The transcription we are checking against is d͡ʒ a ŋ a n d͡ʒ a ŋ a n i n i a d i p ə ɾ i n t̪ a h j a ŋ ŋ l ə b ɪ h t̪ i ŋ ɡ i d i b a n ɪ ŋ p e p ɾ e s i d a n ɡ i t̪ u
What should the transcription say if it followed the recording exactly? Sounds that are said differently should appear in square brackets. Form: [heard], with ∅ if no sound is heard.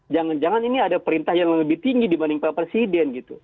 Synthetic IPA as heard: d͡ʒ a ŋ a n d͡ʒ a ŋ a n i n i a d [a] p ə ɾ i n t̪ a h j a ŋ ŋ l ə b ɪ h t̪ i ŋ ɡ i d i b a n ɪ ŋ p [a] p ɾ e s i d [ɛ] n ɡ i t̪ u